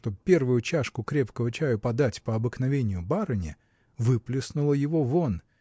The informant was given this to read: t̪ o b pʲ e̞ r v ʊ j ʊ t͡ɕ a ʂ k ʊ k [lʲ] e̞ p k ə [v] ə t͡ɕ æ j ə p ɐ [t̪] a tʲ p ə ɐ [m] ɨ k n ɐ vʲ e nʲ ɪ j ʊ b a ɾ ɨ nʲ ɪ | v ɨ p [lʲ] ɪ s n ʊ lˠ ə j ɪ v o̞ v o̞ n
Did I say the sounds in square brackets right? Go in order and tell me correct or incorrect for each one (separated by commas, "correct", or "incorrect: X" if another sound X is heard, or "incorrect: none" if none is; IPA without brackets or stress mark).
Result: incorrect: ɾʲ, correct, incorrect: d̪, incorrect: b, correct